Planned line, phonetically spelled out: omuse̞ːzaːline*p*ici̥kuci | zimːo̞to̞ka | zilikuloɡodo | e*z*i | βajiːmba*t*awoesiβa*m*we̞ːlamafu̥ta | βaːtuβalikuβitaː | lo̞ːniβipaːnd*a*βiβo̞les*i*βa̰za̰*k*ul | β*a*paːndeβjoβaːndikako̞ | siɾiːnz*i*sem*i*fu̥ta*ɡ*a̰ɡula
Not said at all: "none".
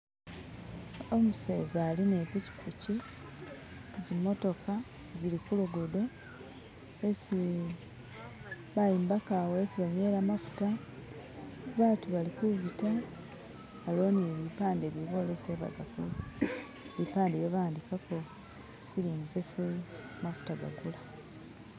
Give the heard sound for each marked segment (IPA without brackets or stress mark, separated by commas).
p, s, k, ɲ, e, e, k, i, e, a, ɡ